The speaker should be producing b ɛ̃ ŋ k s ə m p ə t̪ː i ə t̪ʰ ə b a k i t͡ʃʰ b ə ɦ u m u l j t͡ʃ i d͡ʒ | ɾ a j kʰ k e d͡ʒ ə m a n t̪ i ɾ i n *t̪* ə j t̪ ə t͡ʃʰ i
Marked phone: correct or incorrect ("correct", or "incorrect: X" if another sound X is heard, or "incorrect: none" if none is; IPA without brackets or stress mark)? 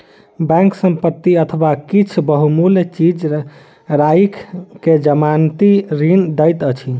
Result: incorrect: d̪